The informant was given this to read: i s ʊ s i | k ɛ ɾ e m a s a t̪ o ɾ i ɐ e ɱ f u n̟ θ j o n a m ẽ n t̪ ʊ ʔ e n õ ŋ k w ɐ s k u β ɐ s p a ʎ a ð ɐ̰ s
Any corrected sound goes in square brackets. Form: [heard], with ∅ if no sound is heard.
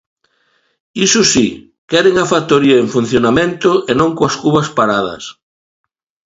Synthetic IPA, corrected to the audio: i s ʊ s i | k ɛ ɾ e [ŋ] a [f] a t̪ o ɾ i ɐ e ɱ f u n̟ θ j o n a m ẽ n t̪ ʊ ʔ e n õ ŋ k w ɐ s k u β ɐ s p a [ɾ] a ð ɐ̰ s